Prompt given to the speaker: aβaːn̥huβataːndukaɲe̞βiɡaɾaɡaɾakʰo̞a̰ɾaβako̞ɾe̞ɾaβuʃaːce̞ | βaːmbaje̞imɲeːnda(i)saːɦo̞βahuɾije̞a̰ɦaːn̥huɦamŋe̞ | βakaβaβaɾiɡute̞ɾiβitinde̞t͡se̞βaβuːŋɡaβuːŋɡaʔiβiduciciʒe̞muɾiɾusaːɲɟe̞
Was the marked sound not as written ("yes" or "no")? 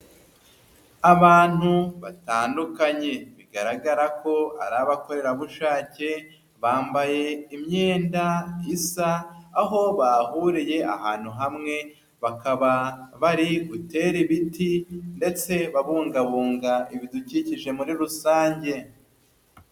no